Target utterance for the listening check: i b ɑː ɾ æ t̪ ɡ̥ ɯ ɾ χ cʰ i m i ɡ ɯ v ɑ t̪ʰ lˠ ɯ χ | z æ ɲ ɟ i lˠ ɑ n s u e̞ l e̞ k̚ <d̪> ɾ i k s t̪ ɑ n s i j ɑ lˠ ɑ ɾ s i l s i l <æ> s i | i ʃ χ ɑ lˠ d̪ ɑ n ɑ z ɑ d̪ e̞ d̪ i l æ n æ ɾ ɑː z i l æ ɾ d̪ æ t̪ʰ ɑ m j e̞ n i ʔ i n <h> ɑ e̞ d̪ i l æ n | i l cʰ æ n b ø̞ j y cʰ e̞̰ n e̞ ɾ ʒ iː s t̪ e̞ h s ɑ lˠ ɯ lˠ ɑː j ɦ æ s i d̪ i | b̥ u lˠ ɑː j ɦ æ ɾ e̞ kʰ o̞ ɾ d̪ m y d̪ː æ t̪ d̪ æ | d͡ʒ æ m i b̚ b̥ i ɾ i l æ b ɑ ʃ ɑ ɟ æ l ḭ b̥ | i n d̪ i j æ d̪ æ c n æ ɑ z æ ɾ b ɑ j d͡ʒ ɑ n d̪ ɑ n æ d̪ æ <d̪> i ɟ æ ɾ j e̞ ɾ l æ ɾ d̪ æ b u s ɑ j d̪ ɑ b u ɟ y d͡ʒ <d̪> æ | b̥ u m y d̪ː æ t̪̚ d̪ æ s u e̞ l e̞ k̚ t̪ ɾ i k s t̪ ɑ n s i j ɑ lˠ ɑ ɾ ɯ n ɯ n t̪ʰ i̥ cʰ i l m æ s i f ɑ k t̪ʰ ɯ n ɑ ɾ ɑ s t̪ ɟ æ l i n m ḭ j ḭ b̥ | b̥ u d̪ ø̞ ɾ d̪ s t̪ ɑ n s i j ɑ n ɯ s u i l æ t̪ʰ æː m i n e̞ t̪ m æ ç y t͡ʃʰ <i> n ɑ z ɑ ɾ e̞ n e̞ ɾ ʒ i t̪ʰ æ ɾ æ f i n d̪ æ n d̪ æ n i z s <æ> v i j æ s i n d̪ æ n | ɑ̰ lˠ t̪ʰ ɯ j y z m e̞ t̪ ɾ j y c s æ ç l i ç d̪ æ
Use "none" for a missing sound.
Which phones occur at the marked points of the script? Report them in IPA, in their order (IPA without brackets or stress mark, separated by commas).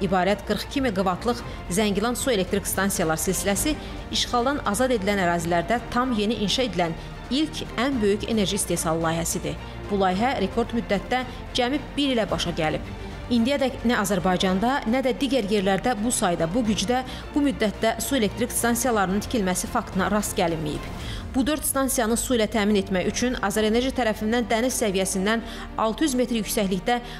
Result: t̪, æ, ʃ, d̪, d̪, y, æ